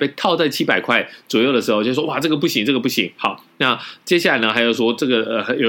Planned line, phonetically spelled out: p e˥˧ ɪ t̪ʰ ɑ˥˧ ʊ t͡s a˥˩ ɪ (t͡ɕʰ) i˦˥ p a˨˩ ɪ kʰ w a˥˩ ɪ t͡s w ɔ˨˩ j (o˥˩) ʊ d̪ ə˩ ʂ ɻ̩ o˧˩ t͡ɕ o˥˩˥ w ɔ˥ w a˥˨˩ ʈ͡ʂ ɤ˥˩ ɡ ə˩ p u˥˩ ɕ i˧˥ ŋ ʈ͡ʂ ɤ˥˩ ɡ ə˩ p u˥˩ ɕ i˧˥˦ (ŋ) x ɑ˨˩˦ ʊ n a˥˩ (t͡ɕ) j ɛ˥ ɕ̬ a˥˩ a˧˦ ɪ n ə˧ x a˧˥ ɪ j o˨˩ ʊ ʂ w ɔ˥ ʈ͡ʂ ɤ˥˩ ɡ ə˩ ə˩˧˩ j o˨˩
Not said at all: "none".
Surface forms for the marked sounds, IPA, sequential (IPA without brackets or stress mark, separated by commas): t͡ɕʰ, o˥˩, ŋ, t͡ɕ